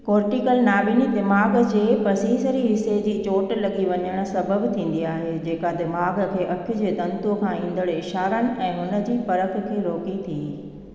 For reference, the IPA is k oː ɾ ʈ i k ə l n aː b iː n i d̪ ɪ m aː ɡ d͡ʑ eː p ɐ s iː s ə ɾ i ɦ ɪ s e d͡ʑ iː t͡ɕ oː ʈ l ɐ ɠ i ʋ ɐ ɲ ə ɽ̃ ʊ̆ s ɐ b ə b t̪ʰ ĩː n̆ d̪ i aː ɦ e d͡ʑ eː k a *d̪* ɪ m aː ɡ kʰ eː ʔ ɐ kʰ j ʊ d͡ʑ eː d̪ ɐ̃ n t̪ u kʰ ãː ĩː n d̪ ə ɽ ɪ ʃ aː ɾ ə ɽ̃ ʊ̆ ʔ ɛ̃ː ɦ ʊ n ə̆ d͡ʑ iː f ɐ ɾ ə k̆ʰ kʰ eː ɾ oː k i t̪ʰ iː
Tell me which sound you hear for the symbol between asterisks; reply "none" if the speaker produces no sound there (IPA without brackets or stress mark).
d̪